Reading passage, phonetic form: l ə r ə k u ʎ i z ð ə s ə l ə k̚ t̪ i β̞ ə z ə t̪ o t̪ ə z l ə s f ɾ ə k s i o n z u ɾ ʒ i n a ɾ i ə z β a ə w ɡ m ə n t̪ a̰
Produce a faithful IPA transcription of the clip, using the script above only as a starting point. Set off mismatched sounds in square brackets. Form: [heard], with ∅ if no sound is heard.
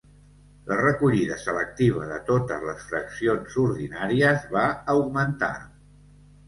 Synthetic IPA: l ə r ə k u ʎ i [∅] ð ə s ə l ə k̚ t̪ i β̞ ə [ð] ə t̪ o t̪ ə z l ə s f ɾ ə k s i o n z u ɾ [ð] i n a ɾ i ə z β a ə w ɡ m ə n t̪ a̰

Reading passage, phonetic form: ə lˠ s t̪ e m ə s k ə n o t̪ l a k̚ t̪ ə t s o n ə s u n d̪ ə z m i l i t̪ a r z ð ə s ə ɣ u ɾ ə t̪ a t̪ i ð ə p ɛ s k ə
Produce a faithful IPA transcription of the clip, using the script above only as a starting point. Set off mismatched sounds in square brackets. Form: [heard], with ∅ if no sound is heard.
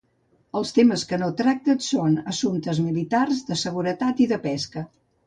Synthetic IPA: ə lˠ s t̪ e m ə s k ə n o t̪ [ɾ] a k̚ t̪ ə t s o n ə s u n [t̪] ə z m i l i t̪ a r z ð ə s ə ɣ u ɾ ə t̪ a t̪ i ð ə p ɛ s k ə

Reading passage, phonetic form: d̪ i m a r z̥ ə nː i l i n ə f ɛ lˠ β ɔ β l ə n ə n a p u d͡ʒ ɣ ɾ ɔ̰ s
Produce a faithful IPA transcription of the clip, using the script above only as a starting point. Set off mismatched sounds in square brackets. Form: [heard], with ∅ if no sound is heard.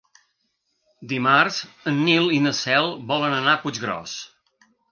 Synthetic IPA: d̪ i m a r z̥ ə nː i l i n ə [s] ɛ lˠ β ɔ [∅] l ə n ə n a p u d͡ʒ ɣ ɾ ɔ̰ s

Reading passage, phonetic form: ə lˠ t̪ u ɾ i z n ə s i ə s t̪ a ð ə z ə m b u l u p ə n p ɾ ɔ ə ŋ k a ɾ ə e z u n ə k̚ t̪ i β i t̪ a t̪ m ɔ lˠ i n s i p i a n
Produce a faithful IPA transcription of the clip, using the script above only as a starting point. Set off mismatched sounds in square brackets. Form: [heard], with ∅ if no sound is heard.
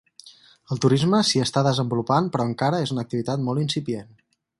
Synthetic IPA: ə lˠ t̪ u ɾ i z [m] ə s i ə s t̪ a ð ə z ə m b u l u p [a] n p ɾ ɔ ə ŋ k a ɾ ə e z u n ə k̚ t̪ i β i t̪ a t̪ m ɔ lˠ i n s i p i [e] n

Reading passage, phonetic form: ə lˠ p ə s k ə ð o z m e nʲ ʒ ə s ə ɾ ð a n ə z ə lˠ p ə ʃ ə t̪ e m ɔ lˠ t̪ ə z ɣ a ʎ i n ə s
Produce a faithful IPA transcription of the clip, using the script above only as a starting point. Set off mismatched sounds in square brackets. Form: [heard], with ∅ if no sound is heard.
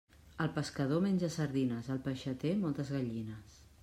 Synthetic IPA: ə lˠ p ə s k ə ð o [∅] m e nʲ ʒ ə s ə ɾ ð [i] n ə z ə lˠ p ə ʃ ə t̪ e m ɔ lˠ t̪ ə z ɣ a ʎ i n ə s

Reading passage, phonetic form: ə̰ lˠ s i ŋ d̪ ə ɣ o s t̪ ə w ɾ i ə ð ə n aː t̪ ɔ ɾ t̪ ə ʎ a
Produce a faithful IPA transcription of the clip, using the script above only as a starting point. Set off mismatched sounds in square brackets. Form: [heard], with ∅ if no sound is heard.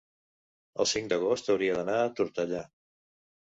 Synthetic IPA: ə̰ lˠ s i ŋ d̪ ə ɣ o s t̪ ə w ɾ i ə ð ə n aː t̪ [u] ɾ t̪ ə ʎ a

